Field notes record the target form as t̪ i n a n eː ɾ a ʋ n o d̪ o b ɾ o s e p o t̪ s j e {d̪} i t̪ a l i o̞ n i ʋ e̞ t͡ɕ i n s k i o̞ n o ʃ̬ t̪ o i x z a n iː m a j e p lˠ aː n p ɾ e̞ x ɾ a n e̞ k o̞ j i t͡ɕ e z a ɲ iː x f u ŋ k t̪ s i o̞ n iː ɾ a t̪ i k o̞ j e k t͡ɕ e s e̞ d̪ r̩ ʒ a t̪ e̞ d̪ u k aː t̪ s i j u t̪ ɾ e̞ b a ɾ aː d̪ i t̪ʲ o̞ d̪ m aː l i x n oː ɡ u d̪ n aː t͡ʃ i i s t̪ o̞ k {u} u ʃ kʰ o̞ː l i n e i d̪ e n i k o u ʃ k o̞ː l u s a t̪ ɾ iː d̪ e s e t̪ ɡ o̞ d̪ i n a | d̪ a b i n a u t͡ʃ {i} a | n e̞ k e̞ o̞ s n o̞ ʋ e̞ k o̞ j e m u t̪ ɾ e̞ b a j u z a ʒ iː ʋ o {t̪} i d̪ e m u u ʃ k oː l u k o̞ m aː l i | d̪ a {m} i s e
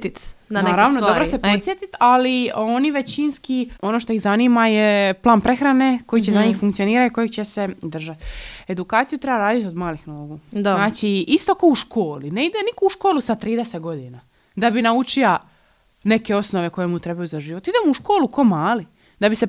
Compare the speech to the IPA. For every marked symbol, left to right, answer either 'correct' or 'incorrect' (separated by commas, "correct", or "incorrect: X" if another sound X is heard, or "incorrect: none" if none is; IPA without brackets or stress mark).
incorrect: t̪, incorrect: o, correct, correct, incorrect: b